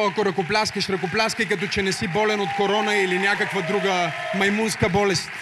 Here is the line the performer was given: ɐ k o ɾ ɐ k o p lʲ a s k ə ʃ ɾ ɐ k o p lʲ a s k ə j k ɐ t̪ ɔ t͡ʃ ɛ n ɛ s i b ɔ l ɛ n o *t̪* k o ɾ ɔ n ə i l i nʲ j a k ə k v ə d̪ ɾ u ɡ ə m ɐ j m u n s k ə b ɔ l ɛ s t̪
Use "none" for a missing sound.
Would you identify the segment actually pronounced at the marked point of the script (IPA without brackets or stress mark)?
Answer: t̪